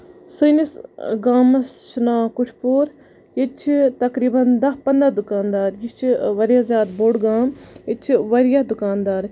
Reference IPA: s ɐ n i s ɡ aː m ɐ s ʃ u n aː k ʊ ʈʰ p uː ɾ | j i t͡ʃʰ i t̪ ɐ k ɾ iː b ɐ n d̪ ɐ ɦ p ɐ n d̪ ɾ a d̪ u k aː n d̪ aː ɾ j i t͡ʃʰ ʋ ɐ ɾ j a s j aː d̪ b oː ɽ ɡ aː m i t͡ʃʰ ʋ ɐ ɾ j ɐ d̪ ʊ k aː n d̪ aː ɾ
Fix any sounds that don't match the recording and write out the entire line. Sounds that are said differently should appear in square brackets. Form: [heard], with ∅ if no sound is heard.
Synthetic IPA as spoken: s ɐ n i s ɡ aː m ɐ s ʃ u n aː k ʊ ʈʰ p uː ɾ | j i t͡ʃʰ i t̪ ɐ k ɾ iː b ɐ n d̪ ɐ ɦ p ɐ n d̪ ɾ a d̪ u k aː n d̪ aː ɾ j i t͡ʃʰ ʋ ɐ ɾ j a [z] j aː d̪ b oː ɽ ɡ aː m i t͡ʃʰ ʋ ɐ ɾ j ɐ d̪ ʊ k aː n d̪ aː ɾ